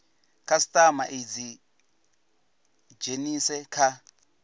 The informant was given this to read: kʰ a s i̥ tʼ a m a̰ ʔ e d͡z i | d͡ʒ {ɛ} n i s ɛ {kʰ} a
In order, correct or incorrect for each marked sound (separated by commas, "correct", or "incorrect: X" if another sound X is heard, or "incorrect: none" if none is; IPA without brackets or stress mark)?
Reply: incorrect: e, correct